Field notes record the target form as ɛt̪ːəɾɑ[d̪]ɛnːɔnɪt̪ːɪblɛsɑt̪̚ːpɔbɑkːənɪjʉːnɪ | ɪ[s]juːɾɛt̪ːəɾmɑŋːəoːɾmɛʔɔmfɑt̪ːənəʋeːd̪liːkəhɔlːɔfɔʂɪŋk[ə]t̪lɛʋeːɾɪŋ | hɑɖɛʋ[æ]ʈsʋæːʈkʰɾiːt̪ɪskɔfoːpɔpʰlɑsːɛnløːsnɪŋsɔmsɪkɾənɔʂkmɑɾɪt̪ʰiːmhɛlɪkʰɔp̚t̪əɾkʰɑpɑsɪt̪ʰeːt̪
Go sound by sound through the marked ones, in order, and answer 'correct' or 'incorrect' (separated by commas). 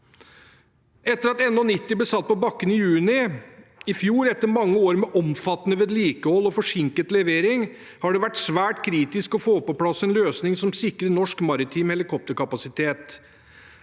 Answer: incorrect, incorrect, correct, correct